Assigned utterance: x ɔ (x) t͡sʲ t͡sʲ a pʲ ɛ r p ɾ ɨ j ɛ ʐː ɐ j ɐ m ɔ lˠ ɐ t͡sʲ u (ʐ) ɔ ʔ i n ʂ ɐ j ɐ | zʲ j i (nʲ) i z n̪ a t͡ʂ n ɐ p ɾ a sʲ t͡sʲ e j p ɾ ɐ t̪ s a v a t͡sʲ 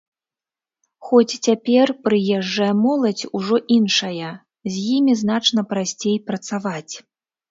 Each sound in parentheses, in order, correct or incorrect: incorrect: none, correct, incorrect: mʲ

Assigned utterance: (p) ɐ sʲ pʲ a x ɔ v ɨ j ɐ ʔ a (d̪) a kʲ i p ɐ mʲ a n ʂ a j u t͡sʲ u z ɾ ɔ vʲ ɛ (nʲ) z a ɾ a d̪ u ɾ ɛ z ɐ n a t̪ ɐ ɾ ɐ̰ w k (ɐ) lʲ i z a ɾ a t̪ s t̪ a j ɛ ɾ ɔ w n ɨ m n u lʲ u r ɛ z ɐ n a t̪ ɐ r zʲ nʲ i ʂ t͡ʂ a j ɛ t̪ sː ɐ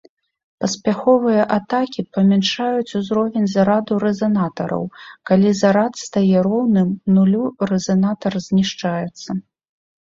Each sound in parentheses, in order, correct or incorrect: correct, incorrect: t̪, correct, incorrect: a

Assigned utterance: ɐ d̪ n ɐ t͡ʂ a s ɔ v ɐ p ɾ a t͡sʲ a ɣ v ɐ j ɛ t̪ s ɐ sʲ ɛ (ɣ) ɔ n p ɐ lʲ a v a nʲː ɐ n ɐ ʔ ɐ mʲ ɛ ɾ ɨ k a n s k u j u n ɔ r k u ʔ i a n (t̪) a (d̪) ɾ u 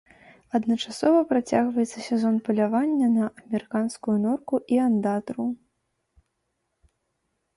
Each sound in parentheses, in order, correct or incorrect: incorrect: z, incorrect: d̪, incorrect: t̪

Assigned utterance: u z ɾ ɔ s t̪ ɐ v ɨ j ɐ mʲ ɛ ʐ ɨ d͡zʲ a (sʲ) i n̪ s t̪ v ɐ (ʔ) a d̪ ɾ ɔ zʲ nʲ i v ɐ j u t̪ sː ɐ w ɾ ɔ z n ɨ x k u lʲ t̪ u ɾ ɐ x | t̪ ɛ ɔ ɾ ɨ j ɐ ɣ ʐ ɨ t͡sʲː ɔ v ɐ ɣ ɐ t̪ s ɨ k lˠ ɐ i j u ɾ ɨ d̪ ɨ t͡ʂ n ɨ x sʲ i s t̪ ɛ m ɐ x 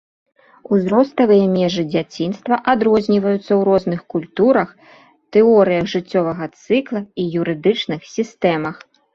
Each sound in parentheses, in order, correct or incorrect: incorrect: t͡sʲ, correct

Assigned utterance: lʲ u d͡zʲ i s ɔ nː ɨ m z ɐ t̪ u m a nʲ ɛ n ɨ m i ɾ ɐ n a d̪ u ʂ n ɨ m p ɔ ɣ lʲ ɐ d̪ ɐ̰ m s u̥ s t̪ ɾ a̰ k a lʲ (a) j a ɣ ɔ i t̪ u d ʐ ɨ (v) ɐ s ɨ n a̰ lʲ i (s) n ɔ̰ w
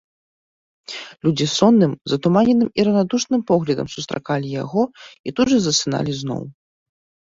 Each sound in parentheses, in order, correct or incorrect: incorrect: i, incorrect: z, incorrect: z

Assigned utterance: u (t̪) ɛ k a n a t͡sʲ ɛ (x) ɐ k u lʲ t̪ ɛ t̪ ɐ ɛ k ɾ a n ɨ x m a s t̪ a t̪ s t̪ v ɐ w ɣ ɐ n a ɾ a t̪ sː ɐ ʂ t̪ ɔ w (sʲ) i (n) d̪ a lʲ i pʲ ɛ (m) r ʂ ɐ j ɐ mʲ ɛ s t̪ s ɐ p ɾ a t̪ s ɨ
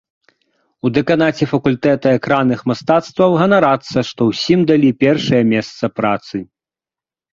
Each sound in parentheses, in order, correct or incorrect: incorrect: d̪, incorrect: f, correct, incorrect: m, incorrect: none

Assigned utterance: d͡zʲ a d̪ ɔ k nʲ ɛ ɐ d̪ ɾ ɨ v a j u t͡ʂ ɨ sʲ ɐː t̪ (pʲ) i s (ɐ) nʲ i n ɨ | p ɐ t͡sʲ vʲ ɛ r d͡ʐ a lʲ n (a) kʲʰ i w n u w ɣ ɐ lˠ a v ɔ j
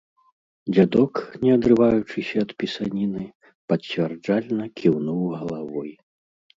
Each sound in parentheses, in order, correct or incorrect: correct, incorrect: a, incorrect: ɐ

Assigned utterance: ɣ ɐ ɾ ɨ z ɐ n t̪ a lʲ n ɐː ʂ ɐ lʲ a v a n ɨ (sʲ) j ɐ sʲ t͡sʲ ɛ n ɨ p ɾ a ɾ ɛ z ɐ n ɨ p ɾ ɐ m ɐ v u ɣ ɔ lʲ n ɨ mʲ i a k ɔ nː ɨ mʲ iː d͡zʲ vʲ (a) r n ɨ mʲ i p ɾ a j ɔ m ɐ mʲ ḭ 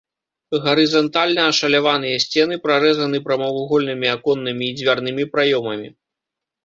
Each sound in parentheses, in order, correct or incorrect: incorrect: none, correct

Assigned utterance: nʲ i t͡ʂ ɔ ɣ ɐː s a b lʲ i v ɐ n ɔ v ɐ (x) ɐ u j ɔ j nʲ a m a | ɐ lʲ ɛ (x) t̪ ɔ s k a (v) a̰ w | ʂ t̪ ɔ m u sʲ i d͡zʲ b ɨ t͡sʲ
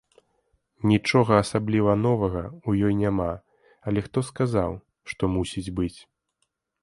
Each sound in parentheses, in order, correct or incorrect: incorrect: ɣ, correct, incorrect: z

